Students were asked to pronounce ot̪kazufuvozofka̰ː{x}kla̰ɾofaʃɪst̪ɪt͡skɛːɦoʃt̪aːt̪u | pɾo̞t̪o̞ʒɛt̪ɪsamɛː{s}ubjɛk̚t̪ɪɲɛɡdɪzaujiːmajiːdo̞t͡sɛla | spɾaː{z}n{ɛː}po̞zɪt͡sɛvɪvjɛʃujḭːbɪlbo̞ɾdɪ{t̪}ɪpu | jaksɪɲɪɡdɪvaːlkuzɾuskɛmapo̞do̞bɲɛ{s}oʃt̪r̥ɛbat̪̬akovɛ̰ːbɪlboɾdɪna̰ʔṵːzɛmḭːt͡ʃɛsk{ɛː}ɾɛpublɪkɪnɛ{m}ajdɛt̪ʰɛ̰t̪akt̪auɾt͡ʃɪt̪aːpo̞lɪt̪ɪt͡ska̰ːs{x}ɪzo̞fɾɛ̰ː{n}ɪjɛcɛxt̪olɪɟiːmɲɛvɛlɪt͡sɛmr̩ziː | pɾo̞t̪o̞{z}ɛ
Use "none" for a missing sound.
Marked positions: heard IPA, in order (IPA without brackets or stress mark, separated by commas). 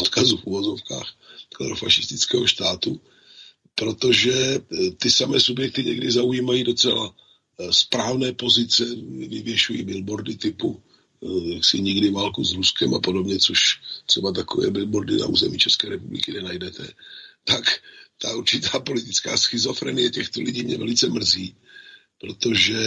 x, s, v, ɛː, t̪, t͡s, ɛː, n, x, n, ʒ